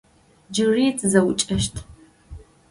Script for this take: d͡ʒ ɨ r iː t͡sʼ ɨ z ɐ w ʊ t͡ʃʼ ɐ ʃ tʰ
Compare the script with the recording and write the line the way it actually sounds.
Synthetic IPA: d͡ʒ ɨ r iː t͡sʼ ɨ z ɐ w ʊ t͡ʃʼ ɐ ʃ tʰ